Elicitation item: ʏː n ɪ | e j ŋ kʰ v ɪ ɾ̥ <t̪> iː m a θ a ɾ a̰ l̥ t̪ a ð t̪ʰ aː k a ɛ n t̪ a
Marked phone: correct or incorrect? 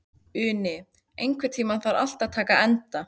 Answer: incorrect: t̪ʰ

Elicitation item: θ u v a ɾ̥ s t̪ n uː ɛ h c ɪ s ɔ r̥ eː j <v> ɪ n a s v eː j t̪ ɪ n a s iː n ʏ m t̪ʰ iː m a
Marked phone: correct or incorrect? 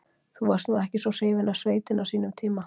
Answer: correct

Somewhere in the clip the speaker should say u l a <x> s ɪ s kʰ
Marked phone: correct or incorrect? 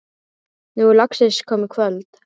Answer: incorrect: k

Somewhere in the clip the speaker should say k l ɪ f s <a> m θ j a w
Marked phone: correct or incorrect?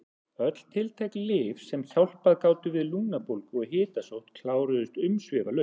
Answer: incorrect: ɛ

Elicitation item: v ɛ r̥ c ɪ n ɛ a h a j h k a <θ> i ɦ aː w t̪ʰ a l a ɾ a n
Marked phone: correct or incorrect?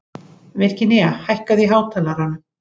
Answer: incorrect: ð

